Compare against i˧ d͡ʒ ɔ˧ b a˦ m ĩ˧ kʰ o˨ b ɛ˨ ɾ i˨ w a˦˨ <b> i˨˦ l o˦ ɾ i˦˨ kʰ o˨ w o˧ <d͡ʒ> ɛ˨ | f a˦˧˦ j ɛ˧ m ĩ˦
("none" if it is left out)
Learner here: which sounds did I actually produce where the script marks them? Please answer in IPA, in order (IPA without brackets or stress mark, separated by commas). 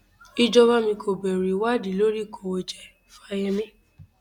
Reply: d, d͡ʒ